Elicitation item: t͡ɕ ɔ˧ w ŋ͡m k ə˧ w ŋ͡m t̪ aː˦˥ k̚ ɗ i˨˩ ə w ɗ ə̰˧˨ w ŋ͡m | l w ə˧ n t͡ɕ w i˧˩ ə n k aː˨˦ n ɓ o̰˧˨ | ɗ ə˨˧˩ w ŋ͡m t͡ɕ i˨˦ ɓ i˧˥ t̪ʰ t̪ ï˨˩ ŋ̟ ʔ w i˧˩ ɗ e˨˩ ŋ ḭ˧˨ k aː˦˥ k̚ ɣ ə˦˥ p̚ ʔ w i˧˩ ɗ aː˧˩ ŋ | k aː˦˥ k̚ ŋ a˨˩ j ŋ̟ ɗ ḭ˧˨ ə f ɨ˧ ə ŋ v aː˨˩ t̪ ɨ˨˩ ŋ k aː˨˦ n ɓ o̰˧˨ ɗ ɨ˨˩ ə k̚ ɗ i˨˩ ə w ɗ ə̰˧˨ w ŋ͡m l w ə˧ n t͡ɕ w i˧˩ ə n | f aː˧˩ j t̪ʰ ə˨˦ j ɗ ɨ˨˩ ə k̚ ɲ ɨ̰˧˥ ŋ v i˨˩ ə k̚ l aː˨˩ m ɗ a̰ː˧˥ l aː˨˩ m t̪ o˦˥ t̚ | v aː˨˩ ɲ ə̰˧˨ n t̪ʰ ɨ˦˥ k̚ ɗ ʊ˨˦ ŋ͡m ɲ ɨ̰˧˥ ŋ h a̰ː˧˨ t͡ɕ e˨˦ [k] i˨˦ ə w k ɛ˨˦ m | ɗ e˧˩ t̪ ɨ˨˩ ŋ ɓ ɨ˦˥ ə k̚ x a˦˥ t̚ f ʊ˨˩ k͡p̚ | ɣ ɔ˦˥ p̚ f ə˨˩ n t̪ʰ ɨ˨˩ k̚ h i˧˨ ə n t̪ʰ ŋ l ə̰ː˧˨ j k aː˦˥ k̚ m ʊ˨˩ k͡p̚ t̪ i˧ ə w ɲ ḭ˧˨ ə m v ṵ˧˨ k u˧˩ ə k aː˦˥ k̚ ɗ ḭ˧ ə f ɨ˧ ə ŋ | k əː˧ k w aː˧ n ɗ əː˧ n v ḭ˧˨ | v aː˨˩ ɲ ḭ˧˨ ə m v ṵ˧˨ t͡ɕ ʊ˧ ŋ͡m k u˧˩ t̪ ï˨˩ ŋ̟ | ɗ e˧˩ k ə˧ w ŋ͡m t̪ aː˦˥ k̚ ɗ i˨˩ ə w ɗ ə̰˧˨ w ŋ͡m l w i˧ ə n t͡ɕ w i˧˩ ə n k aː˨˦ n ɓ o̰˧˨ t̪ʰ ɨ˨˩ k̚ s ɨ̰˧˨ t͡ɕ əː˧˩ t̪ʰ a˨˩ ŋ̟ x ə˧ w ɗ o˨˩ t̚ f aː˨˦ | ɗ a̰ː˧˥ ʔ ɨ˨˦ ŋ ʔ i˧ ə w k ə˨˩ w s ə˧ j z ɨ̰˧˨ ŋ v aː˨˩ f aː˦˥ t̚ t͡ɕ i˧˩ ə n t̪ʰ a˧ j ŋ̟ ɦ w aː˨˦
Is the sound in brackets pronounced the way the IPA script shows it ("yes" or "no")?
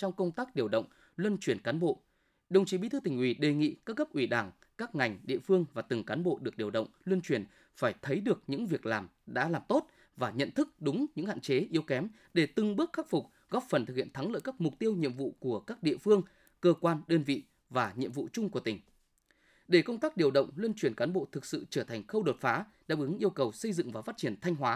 no